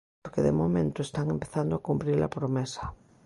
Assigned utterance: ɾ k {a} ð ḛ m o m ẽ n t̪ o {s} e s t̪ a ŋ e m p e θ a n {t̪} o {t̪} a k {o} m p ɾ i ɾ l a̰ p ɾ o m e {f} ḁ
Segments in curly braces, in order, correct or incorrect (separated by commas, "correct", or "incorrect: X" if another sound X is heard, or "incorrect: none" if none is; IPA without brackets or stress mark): incorrect: e, incorrect: none, incorrect: d̪, incorrect: none, incorrect: u, incorrect: s